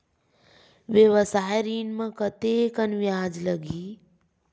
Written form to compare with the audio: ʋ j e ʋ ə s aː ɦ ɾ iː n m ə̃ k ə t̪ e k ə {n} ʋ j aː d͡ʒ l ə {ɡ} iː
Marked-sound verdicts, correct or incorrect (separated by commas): correct, correct